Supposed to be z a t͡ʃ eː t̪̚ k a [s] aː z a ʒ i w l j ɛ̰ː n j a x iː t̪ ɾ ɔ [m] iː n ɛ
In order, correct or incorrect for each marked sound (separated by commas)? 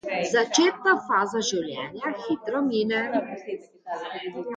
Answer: incorrect, correct